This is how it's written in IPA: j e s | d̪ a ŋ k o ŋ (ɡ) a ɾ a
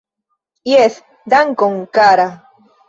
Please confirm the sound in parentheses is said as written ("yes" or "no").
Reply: no